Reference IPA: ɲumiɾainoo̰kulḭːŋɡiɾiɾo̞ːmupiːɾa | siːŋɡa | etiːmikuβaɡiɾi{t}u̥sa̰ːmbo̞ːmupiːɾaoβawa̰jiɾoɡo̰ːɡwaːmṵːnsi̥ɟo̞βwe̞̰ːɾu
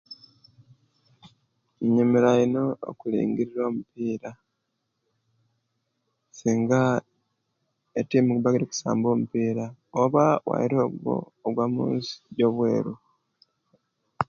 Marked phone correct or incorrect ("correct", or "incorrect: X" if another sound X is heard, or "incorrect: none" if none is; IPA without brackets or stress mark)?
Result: incorrect: k